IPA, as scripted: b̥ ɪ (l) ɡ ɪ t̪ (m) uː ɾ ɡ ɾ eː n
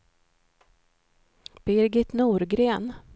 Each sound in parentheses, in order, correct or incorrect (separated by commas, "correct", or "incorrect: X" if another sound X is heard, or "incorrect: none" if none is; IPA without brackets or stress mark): incorrect: ɾ, incorrect: n